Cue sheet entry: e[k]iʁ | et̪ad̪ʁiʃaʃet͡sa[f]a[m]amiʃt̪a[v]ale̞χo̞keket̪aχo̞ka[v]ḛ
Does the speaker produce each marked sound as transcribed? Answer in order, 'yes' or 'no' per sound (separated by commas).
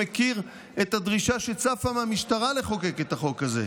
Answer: yes, yes, yes, no, no